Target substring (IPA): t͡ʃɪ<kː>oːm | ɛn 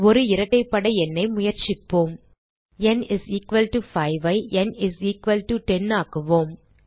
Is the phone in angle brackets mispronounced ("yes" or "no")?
yes